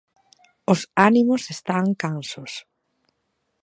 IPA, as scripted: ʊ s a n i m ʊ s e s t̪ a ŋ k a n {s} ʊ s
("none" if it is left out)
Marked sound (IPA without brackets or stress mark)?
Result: s